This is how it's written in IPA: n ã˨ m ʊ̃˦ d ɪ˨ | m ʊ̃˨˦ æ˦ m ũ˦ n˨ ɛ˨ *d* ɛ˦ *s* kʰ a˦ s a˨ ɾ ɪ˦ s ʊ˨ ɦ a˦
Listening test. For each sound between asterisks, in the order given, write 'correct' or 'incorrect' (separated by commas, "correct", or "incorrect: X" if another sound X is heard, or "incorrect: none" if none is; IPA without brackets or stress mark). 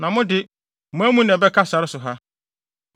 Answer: incorrect: b, incorrect: none